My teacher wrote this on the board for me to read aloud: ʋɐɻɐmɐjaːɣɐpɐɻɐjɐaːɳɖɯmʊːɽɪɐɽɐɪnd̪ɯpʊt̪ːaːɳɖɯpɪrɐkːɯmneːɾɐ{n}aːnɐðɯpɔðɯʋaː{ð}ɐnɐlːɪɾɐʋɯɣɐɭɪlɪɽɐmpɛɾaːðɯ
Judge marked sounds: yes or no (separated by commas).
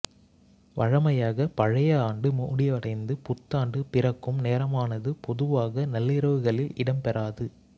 no, no